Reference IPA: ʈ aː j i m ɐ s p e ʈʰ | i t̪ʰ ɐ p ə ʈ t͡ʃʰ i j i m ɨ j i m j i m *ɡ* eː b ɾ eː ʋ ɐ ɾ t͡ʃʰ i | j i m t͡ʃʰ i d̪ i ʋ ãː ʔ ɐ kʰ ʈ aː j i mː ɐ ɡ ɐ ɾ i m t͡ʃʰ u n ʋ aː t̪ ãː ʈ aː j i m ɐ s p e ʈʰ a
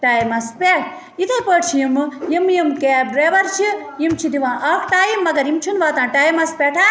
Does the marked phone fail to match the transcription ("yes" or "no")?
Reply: yes